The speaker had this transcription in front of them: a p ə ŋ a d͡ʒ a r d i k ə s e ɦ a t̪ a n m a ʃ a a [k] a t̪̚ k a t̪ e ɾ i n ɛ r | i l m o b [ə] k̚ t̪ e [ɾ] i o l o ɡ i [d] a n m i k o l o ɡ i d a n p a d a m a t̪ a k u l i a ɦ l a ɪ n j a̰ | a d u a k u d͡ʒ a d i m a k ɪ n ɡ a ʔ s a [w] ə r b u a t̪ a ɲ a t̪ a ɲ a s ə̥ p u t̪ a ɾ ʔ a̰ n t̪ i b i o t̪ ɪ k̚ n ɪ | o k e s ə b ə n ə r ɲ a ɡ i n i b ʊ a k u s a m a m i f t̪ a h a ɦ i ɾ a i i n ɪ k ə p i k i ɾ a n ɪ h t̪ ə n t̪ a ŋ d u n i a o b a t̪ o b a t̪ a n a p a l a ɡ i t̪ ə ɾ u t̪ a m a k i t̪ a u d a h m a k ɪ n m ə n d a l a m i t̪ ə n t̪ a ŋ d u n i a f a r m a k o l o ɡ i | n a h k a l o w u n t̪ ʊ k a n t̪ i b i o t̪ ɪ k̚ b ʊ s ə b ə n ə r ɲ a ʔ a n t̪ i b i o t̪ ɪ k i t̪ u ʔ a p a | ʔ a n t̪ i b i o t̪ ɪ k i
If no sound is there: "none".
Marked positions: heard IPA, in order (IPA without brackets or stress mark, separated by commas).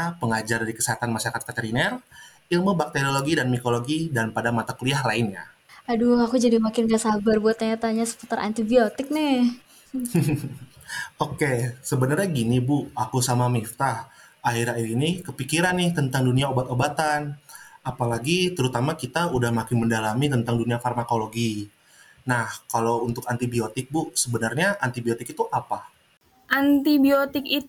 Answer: k, a, ɾ, d, b